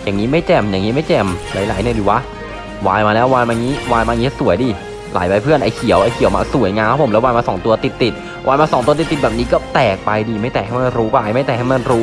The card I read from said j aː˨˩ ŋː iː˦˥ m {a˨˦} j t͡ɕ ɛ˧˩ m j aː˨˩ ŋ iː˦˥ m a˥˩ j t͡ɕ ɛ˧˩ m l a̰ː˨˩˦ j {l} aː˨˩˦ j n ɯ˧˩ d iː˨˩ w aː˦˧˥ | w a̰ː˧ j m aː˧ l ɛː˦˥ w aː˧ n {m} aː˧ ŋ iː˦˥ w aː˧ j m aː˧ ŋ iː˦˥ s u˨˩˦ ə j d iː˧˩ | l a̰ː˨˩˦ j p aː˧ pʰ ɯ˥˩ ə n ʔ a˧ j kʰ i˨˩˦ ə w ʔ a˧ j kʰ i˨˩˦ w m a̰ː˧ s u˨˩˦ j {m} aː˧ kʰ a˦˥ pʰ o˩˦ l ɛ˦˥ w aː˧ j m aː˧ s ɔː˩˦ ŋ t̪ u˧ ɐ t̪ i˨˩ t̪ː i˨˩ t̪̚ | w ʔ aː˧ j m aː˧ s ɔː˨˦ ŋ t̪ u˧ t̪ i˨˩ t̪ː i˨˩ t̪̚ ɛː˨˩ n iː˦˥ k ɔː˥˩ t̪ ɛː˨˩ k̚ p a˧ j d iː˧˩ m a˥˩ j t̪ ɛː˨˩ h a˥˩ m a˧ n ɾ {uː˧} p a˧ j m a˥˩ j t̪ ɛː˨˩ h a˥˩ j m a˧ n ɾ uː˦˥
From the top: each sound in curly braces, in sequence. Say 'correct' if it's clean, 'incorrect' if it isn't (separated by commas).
incorrect, correct, correct, incorrect, incorrect